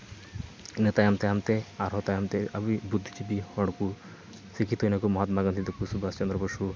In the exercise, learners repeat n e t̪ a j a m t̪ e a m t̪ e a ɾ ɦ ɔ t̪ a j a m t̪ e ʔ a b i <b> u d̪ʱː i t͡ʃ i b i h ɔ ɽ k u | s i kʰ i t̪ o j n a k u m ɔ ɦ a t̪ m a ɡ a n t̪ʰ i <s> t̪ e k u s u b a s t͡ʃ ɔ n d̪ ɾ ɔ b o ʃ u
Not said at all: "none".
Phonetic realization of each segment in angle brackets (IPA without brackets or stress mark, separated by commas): b, none